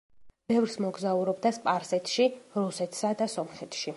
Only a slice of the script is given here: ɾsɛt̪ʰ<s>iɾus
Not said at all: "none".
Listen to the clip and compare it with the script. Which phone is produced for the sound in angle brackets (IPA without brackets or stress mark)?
ʃ